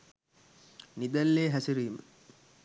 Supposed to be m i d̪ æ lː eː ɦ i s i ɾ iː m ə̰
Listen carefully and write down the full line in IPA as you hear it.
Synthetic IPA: n i d̪ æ lː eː ɦ æ s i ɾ iː m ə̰